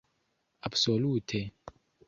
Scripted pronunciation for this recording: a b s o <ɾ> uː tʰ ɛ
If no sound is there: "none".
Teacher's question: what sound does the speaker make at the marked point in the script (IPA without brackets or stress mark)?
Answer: l